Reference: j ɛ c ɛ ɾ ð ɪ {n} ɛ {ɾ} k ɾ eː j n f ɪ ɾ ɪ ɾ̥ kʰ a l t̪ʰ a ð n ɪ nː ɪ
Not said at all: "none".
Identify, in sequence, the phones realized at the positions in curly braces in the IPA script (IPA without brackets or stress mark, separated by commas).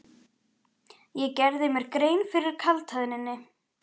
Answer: m, ɾ